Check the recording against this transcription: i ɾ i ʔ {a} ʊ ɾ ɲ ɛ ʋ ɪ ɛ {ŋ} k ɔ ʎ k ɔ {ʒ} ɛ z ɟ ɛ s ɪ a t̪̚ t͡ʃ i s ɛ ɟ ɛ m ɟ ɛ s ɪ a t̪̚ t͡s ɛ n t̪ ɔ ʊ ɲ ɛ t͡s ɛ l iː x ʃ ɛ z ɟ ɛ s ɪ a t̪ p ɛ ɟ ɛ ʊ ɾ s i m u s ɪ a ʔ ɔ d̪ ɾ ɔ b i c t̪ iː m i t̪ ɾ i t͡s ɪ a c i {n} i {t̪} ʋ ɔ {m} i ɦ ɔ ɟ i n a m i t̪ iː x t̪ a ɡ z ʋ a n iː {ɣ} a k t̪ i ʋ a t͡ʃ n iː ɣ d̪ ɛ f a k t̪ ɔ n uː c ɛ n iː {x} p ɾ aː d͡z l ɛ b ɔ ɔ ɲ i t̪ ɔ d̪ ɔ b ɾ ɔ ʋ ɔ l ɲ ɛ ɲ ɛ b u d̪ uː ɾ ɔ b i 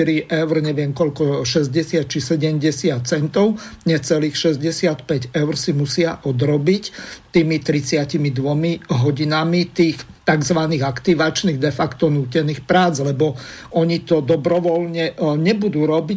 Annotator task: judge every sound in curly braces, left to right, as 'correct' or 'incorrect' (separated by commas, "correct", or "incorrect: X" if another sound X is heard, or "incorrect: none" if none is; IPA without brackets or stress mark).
incorrect: ɛ, incorrect: m, incorrect: ʃ, incorrect: m, incorrect: d̪, correct, correct, correct